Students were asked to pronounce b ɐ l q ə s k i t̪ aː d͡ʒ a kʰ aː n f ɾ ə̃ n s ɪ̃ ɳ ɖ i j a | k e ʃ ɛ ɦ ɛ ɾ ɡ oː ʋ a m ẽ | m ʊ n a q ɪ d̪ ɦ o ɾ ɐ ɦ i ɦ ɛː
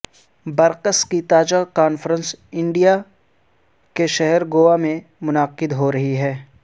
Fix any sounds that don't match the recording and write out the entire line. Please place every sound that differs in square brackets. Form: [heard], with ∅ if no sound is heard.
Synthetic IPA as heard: b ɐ [ɾ] q ə s k i t̪ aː d͡ʒ a [k] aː n f ɾ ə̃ n s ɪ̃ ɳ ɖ i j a | k e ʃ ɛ ɦ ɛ ɾ ɡ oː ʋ a m ẽ | m ʊ n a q ɪ d̪ ɦ o ɾ ɐ ɦ i ɦ ɛː